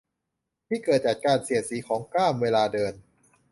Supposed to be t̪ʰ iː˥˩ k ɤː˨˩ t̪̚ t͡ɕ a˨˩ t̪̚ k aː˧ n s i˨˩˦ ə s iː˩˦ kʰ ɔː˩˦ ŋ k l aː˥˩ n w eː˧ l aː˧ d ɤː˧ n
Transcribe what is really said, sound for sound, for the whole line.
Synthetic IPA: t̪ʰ iː˥˩ k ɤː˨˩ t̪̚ t͡ɕ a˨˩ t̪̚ k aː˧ n s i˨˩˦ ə s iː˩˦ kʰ ɔː˩˦ ŋ k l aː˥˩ m w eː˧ l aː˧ d ɤː˧ n

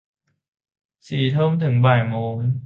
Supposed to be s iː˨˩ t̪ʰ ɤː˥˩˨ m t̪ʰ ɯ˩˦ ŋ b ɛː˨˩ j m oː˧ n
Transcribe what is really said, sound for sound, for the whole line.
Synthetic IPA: s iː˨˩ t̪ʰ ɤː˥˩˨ m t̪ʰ ɯ˩˦ ŋ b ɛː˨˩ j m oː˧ n

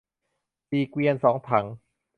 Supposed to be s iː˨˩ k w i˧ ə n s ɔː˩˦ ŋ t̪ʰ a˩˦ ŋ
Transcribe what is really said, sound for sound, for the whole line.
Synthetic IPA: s iː˨˩ k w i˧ ə n s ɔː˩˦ ŋ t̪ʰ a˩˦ ŋ

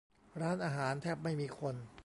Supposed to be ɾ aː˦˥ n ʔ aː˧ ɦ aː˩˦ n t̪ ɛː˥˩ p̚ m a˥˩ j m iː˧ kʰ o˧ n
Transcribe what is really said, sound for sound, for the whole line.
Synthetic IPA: ɾ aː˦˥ n ʔ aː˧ ɦ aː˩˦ n t̪ʰ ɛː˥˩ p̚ m a˥˩ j m iː˧ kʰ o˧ n

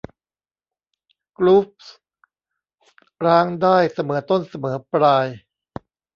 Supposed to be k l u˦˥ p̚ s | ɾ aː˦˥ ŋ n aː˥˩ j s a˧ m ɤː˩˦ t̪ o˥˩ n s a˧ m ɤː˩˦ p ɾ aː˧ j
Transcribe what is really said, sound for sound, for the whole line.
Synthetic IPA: k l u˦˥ p̚ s | ɾ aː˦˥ ŋ d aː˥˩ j s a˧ m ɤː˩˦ t̪ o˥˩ n s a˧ m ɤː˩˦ p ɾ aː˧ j

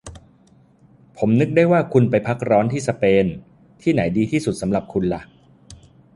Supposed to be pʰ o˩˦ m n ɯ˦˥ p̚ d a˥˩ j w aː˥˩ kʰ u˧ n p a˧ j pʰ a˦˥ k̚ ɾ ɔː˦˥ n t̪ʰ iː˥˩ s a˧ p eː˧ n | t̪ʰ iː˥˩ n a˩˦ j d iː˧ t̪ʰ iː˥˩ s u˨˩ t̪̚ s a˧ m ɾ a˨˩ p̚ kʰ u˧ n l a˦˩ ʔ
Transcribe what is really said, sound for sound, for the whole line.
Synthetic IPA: pʰ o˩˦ m n ɯ˦˥ k̚ d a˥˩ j w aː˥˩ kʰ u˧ n p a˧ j pʰ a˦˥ k̚ ɾ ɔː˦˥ n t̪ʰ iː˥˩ s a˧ p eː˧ n | t̪ʰ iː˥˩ n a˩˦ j d iː˧ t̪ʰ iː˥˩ s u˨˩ t̪̚ s a˩˦ m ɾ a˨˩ p̚ kʰ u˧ n l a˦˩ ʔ

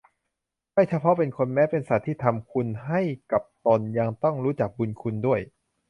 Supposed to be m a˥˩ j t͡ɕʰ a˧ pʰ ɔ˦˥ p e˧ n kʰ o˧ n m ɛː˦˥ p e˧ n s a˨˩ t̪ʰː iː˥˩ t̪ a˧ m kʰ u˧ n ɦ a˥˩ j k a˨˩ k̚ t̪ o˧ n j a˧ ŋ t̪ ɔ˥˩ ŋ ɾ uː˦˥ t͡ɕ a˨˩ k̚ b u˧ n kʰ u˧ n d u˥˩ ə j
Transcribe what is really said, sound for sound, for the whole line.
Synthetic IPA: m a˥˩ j t͡ɕʰ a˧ pʰ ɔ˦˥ p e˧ n kʰ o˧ n m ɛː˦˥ p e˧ n s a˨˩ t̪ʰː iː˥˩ t̪ʰ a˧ m kʰ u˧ n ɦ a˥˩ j k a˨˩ p̚ t̪ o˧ n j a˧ ŋ t̪ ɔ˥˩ ŋ ɾ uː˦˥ t͡ɕ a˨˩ k̚ b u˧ n kʰ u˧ n d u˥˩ ə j

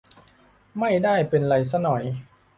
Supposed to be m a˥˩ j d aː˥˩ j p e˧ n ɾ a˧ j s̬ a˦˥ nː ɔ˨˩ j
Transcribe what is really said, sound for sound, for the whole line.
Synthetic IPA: m a˥˩ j d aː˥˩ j p e˧ n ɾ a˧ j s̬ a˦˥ n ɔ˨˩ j

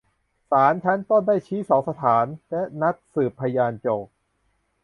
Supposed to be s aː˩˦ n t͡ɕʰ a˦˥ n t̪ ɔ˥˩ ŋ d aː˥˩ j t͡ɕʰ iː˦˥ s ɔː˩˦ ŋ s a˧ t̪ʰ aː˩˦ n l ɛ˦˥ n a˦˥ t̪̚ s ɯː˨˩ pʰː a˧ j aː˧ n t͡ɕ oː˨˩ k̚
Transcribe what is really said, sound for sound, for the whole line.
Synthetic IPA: s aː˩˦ n t͡ɕʰ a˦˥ n t̪ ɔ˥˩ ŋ d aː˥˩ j t͡ɕʰ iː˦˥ s ɔː˩˦ ŋ s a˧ t̪ʰ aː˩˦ n l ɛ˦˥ n a˦˥ t̪̚ s ɯː˨˩ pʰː a˧ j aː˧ n t͡ɕ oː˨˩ k̚

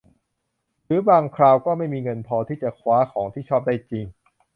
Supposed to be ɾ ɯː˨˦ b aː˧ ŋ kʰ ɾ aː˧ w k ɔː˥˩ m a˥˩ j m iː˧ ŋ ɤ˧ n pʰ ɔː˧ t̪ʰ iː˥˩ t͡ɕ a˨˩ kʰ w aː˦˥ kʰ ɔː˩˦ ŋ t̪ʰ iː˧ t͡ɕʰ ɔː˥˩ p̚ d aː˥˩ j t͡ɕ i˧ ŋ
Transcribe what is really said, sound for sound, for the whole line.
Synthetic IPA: ɾ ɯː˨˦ b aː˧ ŋ kʰ ɾ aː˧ w k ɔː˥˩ m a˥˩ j m iː˧ ŋ ɤ˧ n pʰ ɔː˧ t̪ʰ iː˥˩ t͡ɕ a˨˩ kʰ w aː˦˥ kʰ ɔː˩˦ ŋ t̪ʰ iː˥˩ t͡ɕʰ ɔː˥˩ p̚ d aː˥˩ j t͡ɕ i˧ ŋ

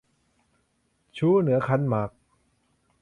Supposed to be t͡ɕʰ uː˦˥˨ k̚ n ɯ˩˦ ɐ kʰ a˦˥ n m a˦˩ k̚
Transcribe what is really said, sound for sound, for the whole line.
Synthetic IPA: t͡ɕʰ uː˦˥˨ n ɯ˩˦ ɐ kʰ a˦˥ n m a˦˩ k̚

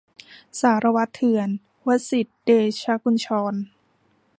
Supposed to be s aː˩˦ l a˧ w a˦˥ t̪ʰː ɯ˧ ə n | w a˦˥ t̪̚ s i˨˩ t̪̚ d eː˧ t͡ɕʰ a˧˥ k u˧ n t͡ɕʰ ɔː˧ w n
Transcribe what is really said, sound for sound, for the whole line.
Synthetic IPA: s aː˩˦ ɾ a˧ w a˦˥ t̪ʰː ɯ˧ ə n | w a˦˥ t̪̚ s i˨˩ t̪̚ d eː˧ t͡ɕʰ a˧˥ k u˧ n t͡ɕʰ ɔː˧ n

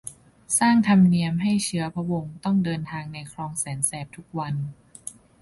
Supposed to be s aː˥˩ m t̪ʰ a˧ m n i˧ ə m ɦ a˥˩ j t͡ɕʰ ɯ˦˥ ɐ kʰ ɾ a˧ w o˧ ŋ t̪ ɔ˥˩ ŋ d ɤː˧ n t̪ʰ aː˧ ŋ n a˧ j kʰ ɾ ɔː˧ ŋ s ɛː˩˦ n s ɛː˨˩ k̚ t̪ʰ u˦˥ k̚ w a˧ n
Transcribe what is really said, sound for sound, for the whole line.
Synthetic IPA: s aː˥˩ ŋ t̪ʰ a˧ m n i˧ ə m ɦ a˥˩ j t͡ɕʰ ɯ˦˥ ɐ pʰ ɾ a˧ w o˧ ŋ t̪ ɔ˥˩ ŋ d ɤː˧ n t̪ʰ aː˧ ŋ n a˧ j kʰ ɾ ɔː˧ ŋ s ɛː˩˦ n s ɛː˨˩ p̚ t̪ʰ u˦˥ k̚ w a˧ n

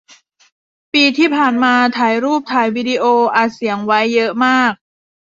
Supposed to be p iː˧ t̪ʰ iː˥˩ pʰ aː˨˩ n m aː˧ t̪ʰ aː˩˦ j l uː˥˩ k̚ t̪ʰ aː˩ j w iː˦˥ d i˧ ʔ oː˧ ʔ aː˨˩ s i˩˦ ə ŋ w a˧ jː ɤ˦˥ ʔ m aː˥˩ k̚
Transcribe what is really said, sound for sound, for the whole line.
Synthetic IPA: p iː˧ t̪ʰ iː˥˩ pʰ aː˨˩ n m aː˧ t̪ʰ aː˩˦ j ɾ uː˥˩ p̚ t̪ʰ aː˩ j w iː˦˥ d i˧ ʔ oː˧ ʔ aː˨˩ s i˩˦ ə ŋ w a˦˥ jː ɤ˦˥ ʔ m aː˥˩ k̚

